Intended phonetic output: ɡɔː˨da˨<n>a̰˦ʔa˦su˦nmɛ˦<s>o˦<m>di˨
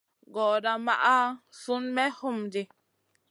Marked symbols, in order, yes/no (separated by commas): no, no, yes